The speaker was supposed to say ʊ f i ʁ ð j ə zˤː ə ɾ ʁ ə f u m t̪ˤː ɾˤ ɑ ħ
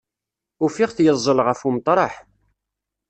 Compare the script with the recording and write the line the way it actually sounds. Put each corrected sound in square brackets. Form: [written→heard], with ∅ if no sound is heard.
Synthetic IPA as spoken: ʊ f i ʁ [ð→θ] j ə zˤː ə [ɾ→l] ʁ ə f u m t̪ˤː ɾˤ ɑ ħ